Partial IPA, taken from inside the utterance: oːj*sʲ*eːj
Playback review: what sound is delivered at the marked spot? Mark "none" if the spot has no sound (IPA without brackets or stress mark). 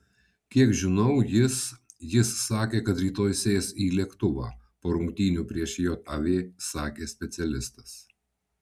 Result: sʲ